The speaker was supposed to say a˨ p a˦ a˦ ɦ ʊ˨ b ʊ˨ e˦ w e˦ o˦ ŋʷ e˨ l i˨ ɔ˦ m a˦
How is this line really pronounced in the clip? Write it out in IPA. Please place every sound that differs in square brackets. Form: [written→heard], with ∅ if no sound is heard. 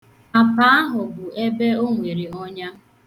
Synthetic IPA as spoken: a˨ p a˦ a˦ ɦ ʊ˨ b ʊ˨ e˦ [w→b] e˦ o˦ ŋʷ e˨ [l→ɾ] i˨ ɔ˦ [m→ɲ] a˦